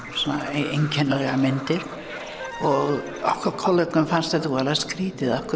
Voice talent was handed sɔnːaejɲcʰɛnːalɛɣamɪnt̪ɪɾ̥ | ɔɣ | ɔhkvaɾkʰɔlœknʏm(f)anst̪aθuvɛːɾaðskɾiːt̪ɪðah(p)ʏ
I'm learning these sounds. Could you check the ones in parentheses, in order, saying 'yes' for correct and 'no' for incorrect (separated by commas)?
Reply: yes, no